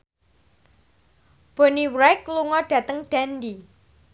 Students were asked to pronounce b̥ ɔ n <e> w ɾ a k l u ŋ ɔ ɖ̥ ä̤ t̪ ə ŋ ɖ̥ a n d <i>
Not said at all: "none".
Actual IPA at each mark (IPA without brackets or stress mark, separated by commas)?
i, i